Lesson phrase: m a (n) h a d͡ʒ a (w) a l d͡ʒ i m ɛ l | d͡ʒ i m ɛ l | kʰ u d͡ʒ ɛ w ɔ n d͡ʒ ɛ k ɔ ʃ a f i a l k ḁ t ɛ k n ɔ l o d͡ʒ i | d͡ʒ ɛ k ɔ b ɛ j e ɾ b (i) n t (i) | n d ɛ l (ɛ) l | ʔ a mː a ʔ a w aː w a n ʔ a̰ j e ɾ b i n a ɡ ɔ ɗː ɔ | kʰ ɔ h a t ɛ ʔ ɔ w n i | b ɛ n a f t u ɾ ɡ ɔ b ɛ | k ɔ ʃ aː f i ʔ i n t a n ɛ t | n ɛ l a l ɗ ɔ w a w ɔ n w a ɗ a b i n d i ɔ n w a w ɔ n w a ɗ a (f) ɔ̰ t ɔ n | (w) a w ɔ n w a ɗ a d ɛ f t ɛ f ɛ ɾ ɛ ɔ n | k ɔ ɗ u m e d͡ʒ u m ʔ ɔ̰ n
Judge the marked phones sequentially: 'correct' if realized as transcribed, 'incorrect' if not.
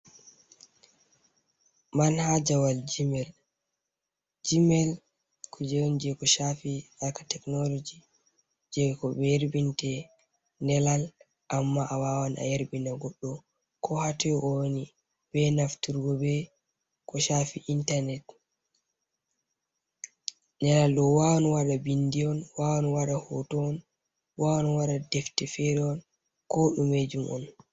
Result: correct, correct, correct, incorrect, incorrect, incorrect, correct

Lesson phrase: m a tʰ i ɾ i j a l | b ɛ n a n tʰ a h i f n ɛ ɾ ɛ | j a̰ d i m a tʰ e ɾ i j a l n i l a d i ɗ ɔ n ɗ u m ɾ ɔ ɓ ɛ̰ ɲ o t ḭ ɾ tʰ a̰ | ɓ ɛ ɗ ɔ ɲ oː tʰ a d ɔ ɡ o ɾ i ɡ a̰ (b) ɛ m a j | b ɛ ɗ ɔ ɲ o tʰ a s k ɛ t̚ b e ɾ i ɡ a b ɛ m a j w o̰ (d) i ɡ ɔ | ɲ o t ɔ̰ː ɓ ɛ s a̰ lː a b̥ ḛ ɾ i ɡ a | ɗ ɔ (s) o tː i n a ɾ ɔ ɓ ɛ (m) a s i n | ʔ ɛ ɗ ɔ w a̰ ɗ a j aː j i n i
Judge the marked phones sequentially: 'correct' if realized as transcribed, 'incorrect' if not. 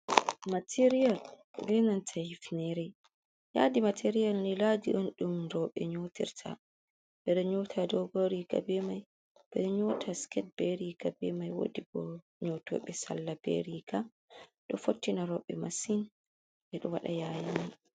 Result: correct, correct, incorrect, correct

